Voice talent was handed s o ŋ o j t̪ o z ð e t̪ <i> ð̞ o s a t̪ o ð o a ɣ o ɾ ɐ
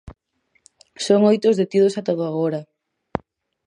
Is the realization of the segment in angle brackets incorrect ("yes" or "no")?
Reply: no